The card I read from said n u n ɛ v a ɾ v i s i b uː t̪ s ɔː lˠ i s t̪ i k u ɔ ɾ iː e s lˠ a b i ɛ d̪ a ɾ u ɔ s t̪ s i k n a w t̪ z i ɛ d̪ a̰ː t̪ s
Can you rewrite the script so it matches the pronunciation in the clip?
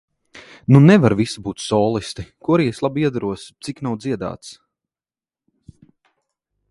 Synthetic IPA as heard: n u n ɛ v a ɾ v i s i b uː t̪ s ɔː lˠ i s t̪ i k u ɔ ɾ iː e s lˠ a b i ɛ d̪ a ɾ u ɔ s t̪ s i k n a w d̪ z i ɛ d̪ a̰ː t̪ s